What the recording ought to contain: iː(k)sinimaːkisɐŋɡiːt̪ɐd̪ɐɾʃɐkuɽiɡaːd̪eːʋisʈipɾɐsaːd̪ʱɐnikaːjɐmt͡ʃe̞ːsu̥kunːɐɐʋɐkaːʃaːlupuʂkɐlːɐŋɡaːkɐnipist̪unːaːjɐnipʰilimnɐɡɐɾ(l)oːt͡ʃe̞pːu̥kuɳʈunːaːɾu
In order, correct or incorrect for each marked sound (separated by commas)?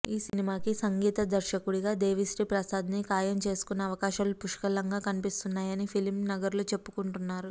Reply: incorrect, correct